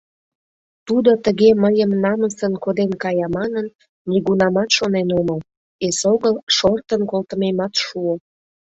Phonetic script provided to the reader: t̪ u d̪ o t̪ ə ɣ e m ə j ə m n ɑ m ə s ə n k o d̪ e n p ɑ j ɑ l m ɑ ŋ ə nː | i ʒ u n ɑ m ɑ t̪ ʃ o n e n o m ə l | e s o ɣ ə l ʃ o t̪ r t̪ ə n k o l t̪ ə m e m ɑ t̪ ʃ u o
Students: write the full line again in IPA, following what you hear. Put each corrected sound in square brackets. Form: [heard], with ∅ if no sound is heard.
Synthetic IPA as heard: t̪ u d̪ o t̪ ə ɣ e m ə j ə m n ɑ m ə s ə n k o d̪ e n [k] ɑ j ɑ [∅] m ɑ [n] ə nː | i [ɣ] u n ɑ m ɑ t̪ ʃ o n e n o m ə l | e s o ɣ ə l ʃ o [∅] r t̪ ə n k o l t̪ ə m e m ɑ t̪ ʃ u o